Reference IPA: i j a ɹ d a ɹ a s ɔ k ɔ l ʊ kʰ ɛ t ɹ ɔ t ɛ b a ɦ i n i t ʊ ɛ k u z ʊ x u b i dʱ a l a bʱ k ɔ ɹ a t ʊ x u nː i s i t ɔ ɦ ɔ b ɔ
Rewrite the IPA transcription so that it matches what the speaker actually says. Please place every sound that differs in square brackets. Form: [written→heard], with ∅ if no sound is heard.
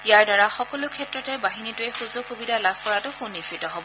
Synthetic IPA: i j a ɹ d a ɹ a [s→x] ɔ k ɔ l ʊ kʰ ɛ t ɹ ɔ t ɛ b a ɦ i n i t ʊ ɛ [k→x] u z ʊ x u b i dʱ a l a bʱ k ɔ ɹ a t ʊ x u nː i s i t ɔ ɦ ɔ b ɔ